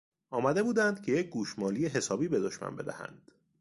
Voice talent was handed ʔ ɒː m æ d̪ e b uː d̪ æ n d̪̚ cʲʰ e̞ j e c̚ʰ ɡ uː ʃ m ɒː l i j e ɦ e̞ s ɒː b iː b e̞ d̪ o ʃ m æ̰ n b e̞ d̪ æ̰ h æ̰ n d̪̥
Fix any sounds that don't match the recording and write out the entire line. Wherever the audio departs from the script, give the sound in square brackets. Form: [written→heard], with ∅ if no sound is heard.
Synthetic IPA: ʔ ɒː m æ d̪ e b uː d̪ æ n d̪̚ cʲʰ e̞ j e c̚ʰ ɡ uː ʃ m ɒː l i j e ɦ e̞ s ɒː b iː b e̞ d̪ o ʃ m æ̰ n b e̞ d̪ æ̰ h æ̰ n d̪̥